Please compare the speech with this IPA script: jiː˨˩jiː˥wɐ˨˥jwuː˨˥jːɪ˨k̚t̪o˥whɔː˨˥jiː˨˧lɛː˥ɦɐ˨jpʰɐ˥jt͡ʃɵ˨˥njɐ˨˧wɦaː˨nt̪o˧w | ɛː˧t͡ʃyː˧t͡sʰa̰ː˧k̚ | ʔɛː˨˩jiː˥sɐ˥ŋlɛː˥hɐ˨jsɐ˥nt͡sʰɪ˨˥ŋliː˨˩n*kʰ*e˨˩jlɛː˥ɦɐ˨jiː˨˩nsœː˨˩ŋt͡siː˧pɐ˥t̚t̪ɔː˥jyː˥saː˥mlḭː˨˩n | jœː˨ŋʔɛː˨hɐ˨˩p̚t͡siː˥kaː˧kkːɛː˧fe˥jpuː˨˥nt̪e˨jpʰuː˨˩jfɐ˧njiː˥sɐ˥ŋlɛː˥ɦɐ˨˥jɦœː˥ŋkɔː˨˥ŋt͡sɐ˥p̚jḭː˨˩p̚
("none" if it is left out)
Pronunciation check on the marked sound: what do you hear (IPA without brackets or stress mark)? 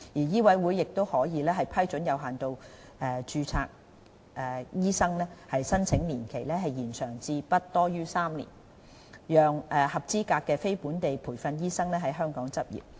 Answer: kʰ